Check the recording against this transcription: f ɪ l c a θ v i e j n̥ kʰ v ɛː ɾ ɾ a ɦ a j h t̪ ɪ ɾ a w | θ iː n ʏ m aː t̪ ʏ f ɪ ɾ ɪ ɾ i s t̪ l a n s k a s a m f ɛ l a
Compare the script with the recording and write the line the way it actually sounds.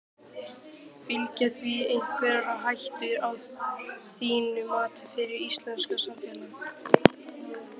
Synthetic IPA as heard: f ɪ l c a θ v i e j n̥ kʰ v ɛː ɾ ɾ a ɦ a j h t̪ ɪ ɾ a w | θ iː n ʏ m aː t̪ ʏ f ɪ ɾ ɪ ɾ i s t̪ l ɛ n s k a s a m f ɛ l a

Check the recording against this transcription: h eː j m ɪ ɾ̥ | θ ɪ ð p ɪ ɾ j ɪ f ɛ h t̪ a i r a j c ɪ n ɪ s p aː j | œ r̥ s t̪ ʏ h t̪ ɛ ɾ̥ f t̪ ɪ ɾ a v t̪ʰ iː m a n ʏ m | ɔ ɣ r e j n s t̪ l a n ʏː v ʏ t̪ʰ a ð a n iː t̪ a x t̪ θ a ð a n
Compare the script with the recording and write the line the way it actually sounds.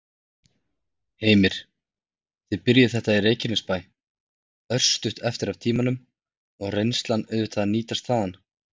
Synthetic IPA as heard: h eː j m ɪ ɾ̥ | θ ɪ ð p ɪ ɾ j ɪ θ ɛ h t̪ a i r e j c ɪ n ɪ s p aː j | œ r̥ s t̪ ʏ h t̪ ɛ f t̪ ɪ ɾ a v t̪ʰ iː m a n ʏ m | ɔ ɣ r e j n s t̪ l a n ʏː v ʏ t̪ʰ a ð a n iː t̪ a s t̪ θ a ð a n

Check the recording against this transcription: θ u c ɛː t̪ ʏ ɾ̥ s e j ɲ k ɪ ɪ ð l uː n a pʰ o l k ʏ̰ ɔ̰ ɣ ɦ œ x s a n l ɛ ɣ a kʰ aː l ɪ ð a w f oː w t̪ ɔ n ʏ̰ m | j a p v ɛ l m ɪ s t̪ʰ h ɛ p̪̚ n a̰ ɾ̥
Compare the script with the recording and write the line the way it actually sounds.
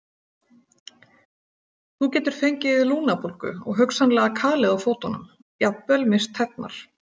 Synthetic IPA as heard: θ u c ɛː t̪ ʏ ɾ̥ f e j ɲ c ɪ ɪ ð l uː n a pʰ o l k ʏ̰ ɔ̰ ɣ ɦ œ k s a n l ɛ ɣ a kʰ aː l ɪ ð a w f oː w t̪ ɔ n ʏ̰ m | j a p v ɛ l m ɪ s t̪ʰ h ɛ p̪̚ n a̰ ɾ̥

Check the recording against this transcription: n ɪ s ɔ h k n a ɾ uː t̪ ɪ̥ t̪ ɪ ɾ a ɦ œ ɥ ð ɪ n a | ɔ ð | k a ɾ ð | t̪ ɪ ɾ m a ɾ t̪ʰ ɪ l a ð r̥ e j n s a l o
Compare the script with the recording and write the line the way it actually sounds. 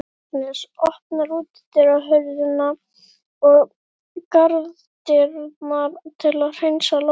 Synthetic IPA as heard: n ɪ s ɔ h p n a ɾ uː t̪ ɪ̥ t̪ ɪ ɾ a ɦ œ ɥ ð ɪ n a | ɔ ɣ | k a ɾ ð | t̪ ɪ ɾ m a ɾ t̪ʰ ɪ l a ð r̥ e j n s a l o

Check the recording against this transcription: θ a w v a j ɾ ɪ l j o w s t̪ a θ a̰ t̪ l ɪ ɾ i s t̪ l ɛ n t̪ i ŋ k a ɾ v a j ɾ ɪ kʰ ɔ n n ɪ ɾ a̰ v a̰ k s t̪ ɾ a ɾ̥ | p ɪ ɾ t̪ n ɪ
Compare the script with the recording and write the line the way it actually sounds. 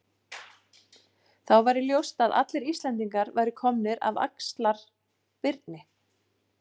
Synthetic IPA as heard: θ a w v a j ɾ ɪ l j o w s t̪ a ð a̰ t̪ l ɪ ɾ i s t̪ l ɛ n t̪ i ŋ k a ɾ v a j ɾ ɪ kʰ ɔ m n ɪ ɾ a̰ v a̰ k s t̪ l a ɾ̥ | p ɪ ɾ t̪ n ɪ

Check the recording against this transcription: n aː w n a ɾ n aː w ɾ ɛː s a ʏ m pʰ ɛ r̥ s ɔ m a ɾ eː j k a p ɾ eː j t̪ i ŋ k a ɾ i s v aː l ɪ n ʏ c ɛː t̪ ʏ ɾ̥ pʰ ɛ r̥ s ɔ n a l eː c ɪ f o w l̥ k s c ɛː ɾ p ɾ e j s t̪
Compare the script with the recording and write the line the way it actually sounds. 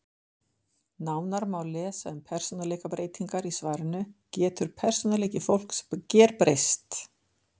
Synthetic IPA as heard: n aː w n a ɾ m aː w l ɛː s a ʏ m pʰ ɛ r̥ s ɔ n a l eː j k a p ɾ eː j t̪ i ŋ k a ɾ i s v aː ɾ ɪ n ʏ c ɛː t̪ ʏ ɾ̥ pʰ ɛ r̥ s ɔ n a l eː c ɪ f o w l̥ k s c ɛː ɾ p ɾ e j s t̪

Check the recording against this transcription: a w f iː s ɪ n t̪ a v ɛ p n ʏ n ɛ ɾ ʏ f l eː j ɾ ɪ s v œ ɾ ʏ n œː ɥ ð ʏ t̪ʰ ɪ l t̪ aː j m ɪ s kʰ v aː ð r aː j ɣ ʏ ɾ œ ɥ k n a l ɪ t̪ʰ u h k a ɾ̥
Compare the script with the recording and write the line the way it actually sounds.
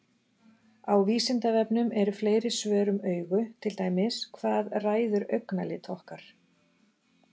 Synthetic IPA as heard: a w v iː s ɪ n t̪ a v ɛ p n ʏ m ɛ ɾ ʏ f l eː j ɾ ɪ s v œː ɾ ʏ m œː ɥ ɣ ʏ t̪ʰ ɪ l t̪ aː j m ɪ s kʰ v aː ð r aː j ð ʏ ɾ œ ɥ k n a l ɪ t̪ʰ ɔ h k a ɾ̥

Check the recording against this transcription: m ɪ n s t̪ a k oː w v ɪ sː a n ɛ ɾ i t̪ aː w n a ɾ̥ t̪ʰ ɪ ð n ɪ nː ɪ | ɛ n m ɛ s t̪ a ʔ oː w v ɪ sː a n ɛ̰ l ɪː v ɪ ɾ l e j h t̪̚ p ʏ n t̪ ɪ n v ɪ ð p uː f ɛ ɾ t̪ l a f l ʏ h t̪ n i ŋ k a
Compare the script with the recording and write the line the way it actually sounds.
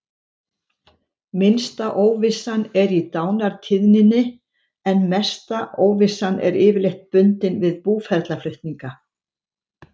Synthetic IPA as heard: m ɪ n s t̪ a ʔ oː w v ɪ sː a n ɛ ɾ i t̪ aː w n a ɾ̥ t̪ʰ ɪ ð n ɪ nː ɪ | ɛ n m ɛ s t̪ a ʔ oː w v ɪ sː a n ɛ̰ ɾ ɪː v ɪ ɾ l e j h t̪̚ p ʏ n t̪ ɪ n v ɪ ð p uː f ɛ ɾ t̪ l a f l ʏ h t̪ n i ŋ k a

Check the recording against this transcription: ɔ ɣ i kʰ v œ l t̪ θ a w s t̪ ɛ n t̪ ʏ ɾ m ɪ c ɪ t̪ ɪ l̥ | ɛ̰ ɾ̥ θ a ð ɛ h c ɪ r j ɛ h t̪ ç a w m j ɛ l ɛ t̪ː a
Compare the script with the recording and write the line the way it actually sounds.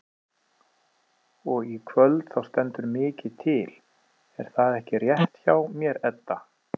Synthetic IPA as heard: ɔ ɣ i kʰ v œ l t̪ θ a w s t̪ ɛ n t̪ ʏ ɾ m ɪː c ɪ t̪ʰ ɪ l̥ | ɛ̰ ɾ̥ θ a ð ɛ h c ɪ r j ɛ h t̪ ç a w m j ɛ ɾ ɛ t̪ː a

